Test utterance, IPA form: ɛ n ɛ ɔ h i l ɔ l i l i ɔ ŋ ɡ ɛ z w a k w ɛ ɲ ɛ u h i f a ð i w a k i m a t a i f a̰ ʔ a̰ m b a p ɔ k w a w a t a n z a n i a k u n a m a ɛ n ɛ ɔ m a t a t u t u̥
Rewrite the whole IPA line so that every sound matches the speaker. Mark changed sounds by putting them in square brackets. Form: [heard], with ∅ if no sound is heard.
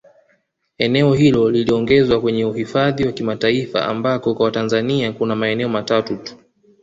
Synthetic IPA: ɛ n ɛ ɔ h i l ɔ l i l i ɔ ŋ ɡ ɛ z w a k w ɛ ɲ ɛ u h i f a ð i w a k i m a t a i f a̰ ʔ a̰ m b a [k] ɔ k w a w a t a n z a n i a k u n a m a ɛ n ɛ ɔ m a t a t u t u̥